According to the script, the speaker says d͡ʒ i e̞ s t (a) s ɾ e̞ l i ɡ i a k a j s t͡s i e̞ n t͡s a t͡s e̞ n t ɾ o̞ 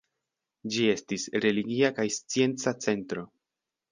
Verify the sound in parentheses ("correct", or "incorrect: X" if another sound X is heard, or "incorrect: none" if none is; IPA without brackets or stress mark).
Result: incorrect: i